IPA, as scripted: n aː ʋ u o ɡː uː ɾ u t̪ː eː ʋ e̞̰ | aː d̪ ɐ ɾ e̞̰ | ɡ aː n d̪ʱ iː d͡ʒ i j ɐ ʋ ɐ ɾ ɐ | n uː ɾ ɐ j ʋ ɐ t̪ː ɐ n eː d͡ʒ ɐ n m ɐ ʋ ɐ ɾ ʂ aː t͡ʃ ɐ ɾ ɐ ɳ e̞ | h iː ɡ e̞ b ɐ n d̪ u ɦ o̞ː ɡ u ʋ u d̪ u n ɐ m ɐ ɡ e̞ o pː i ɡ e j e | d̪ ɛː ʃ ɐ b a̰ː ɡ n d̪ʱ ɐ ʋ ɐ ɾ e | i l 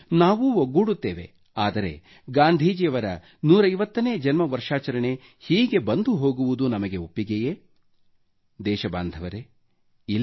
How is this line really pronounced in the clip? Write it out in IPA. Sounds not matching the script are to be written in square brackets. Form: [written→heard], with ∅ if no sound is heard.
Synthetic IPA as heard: n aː ʋ u o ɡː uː [ɾ→ɽ] u t̪ː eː ʋ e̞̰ | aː d̪ ɐ ɾ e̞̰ | ɡ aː n d̪ʱ iː d͡ʒ i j ɐ ʋ ɐ ɾ ɐ | n uː ɾ ɐ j ʋ ɐ t̪ː ɐ n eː d͡ʒ ɐ n m ɐ ʋ ɐ ɾ ʂ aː t͡ʃ ɐ ɾ ɐ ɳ e̞ | h iː ɡ e̞ b ɐ n d̪ u ɦ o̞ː ɡ u ʋ u d̪ u n ɐ m ɐ ɡ e̞ o pː i ɡ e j e | d̪ ɛː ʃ ɐ b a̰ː [ɡ→∅] n d̪ʱ ɐ ʋ ɐ ɾ e | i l